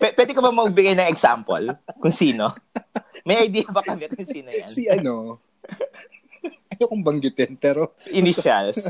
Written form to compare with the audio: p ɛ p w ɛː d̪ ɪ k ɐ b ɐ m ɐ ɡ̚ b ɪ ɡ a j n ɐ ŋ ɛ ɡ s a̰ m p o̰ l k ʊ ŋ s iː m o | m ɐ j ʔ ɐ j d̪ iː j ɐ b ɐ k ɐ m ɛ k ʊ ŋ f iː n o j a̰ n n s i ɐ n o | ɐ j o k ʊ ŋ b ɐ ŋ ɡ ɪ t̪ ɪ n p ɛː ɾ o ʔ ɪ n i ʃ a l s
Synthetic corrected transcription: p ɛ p w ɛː d̪ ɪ k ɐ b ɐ m ɐ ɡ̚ b ɪ ɡ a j n ɐ ŋ ɛ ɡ s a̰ m p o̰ l k ʊ ŋ s iː n o | m ɐ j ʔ ɐ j d̪ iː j ɐ b ɐ k ɐ m ɛ k ʊ ŋ s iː n o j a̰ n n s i ɐ n o | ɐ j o k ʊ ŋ b ɐ ŋ ɡ ɪ t̪ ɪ n p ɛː ɾ o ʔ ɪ n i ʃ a l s